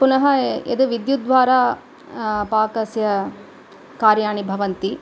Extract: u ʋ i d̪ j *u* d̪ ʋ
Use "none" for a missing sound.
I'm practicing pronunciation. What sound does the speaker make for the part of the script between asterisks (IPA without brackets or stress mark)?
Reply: u